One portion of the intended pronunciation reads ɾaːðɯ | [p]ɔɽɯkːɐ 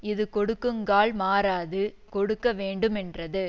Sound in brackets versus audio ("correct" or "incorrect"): incorrect